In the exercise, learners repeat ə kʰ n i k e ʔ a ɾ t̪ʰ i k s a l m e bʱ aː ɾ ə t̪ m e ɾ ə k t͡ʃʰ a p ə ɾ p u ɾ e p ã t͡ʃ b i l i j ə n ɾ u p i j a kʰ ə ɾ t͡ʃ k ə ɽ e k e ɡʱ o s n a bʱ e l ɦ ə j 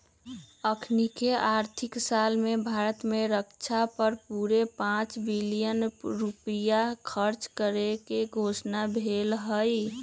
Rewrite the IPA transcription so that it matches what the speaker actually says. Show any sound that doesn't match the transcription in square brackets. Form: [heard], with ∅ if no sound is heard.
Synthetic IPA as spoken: ə kʰ n i k e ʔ a ɾ t̪ʰ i k s a l m e bʱ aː ɾ ə t̪ m e ɾ ə k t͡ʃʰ a p ə ɾ p u ɾ e p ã t͡ʃ b i l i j ə n ɾ u p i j a kʰ ə ɾ t͡ʃ k ə [ɾ] e k e ɡʱ o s n a bʱ e l ɦ ə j